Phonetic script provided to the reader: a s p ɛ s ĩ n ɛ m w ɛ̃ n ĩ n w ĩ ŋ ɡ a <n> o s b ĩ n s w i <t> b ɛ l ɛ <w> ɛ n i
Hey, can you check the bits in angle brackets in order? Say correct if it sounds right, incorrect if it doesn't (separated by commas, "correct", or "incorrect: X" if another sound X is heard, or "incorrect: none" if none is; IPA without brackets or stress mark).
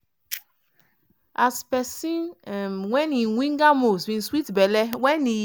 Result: incorrect: m, correct, correct